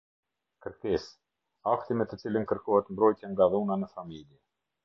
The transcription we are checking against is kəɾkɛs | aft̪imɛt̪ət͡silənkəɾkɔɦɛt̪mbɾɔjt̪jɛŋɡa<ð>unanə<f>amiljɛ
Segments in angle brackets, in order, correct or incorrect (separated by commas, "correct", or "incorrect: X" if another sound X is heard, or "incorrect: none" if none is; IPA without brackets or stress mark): correct, correct